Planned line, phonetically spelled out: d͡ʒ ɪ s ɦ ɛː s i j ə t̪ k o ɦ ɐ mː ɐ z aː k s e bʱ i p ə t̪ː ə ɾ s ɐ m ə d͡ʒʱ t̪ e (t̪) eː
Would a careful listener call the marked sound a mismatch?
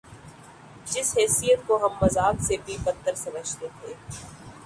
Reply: yes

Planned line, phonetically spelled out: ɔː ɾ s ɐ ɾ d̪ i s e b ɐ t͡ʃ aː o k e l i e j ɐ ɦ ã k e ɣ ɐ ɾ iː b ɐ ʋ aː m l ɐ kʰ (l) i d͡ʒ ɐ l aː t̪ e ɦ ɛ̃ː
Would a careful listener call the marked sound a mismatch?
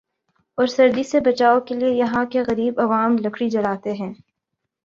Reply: yes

